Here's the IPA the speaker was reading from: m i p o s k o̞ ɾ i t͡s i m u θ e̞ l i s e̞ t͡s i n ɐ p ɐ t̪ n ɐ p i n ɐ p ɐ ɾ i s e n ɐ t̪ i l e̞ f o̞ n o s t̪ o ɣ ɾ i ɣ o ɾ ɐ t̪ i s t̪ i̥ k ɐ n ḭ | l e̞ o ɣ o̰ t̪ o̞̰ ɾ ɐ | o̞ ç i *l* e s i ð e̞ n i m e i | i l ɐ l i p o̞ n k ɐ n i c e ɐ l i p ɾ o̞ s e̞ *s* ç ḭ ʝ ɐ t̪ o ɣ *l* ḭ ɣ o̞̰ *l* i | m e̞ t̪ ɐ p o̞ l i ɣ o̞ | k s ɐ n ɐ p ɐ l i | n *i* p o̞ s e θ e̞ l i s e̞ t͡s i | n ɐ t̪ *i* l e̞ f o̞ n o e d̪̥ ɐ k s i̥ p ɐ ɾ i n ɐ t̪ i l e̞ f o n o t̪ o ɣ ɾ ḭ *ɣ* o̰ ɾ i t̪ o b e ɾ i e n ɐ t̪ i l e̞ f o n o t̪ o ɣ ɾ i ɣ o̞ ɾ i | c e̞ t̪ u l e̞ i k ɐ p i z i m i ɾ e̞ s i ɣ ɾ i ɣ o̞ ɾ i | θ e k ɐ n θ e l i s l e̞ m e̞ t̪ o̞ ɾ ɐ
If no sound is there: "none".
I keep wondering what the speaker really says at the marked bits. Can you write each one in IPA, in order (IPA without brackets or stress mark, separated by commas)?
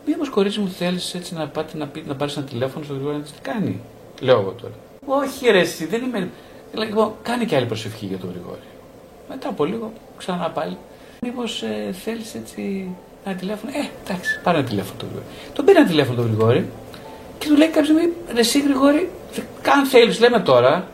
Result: ɾ, f, ɾ, ɾ, i, i, ɣ